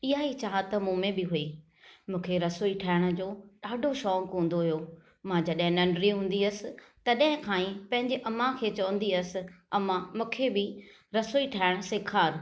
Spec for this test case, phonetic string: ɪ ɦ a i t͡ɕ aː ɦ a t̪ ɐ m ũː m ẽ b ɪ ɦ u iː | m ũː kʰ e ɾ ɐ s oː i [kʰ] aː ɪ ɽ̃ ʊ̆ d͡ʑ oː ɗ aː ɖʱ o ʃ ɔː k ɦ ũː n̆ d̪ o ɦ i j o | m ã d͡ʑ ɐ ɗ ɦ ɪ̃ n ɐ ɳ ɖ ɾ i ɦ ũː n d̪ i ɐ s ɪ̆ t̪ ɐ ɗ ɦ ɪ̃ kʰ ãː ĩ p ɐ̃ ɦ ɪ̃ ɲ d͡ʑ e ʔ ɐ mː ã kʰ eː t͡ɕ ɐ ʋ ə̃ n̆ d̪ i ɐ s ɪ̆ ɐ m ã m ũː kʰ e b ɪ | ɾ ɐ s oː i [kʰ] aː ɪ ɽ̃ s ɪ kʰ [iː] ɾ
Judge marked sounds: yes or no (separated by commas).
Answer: no, no, no